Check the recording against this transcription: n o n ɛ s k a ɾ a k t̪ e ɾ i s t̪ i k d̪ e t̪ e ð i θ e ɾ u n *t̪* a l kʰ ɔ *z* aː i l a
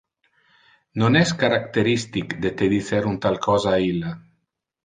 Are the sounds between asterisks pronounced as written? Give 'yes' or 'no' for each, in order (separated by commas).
yes, yes